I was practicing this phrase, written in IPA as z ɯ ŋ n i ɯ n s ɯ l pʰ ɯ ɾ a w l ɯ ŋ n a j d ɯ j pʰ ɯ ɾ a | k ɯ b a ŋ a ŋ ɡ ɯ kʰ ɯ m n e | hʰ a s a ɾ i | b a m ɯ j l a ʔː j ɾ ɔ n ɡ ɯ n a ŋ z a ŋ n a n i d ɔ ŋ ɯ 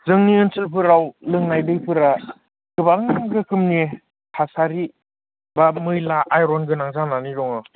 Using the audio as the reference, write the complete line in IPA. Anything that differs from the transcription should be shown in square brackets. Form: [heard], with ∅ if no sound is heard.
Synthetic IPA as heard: z ɯ ŋ n i ɯ n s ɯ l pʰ ɯ ɾ a w l ɯ ŋ n a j d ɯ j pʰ ɯ ɾ a | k ɯ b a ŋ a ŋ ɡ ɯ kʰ ɯ m n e | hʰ a s a ɾ i | b a m ɯ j l a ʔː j ɾ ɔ n ɡ ɯ n a ŋ z a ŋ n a n i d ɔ ŋ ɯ

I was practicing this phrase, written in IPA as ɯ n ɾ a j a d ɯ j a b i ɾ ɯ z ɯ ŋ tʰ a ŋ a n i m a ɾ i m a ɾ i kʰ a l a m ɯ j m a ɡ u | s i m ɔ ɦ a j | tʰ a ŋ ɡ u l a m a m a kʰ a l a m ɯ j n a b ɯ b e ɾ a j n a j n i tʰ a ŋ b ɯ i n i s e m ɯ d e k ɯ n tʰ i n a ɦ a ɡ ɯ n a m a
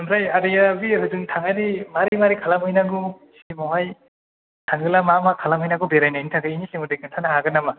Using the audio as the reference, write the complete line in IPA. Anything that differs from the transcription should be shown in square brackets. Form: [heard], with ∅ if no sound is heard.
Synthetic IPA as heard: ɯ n ɾ a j a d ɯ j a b i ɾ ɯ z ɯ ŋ tʰ a ŋ a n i m a ɾ i m a ɾ i kʰ a l a m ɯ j [n] a ɡ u | s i m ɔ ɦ a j | tʰ a ŋ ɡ [ɯ] l a m a m a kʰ a l a m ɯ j n a [ɡ] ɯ b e ɾ a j n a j n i tʰ a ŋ [ɡ] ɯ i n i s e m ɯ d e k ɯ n tʰ [a] n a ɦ a ɡ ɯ n a m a

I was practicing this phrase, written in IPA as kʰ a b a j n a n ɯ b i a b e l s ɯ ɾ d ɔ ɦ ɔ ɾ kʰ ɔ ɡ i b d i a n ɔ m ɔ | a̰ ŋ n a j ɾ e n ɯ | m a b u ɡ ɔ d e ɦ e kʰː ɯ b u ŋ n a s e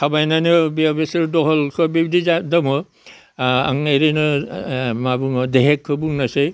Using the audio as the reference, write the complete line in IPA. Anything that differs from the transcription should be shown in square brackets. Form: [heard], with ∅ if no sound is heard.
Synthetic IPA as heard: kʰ a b a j n a n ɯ b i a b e [∅] s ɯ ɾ d ɔ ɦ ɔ [l] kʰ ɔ [b] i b d i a [d] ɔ m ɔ | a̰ ŋ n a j ɾ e n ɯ | m a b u [ŋ] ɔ d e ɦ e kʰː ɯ b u ŋ n a s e

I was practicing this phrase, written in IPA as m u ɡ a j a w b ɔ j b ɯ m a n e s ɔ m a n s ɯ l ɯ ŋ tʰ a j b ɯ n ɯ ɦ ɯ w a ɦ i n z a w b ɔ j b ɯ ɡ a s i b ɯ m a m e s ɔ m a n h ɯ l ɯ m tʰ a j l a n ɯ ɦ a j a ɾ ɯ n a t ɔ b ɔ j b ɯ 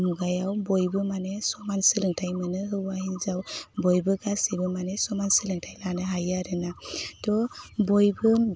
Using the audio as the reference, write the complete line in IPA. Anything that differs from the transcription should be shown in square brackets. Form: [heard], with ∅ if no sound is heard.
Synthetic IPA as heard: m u ɡ a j a w b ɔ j b ɯ m a n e s ɔ m a n s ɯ l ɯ ŋ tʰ a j [m] ɯ n ɯ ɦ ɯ w a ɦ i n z a w b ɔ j b ɯ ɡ a s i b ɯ m a [n] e s ɔ m a n [s] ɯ l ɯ [ŋ] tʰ a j l a n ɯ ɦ a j a ɾ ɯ n a t ɔ b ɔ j b ɯ

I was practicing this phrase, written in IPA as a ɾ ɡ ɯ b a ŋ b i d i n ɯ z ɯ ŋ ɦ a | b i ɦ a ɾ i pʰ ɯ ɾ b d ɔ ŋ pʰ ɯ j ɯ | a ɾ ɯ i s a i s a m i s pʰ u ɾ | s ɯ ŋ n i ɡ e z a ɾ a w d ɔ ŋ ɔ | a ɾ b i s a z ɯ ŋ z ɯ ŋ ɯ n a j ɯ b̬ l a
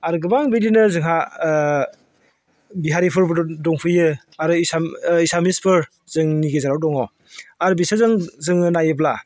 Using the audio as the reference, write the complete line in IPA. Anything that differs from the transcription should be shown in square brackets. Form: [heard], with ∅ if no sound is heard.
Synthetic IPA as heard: a ɾ ɡ ɯ b a ŋ b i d i n ɯ z ɯ ŋ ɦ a | b i ɦ a ɾ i pʰ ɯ ɾ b d ɔ ŋ pʰ ɯ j ɯ | a ɾ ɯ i s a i s a m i s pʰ [ɯ] ɾ | [z] ɯ ŋ n i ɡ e z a ɾ a w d ɔ ŋ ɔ | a ɾ b i s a z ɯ ŋ z ɯ ŋ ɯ n a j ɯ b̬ l a

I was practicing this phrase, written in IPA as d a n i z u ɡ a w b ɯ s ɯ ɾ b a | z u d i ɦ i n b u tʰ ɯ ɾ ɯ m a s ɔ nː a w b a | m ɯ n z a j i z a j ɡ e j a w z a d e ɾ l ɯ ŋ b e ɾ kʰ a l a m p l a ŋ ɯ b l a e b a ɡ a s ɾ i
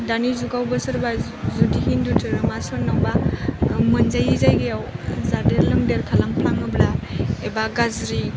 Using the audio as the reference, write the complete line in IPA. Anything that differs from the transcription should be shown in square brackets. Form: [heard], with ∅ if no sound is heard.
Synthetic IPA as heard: d a n i z u ɡ a w b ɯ s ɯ ɾ b a | z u d i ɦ i n [d] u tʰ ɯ ɾ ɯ m a s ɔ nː a w b a | m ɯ n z a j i z a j ɡ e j a w z a d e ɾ l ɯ ŋ [d] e ɾ kʰ a l a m p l a ŋ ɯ b l a e b a ɡ a [z] ɾ i

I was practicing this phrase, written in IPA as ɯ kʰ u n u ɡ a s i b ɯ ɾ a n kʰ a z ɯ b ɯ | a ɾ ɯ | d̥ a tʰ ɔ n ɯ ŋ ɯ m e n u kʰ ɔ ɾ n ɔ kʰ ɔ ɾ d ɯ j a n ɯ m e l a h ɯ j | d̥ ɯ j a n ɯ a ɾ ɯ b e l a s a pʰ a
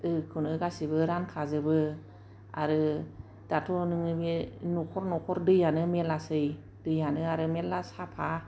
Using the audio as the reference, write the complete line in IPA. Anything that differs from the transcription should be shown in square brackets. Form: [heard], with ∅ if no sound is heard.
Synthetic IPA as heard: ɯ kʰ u n [ɯ] ɡ a s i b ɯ ɾ a n kʰ a z ɯ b ɯ | a ɾ ɯ | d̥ a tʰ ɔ n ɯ ŋ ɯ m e n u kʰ ɔ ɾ n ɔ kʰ ɔ ɾ d ɯ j a n ɯ m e l a [s] ɯ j | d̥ ɯ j a n ɯ a ɾ ɯ [m] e l a s a pʰ a

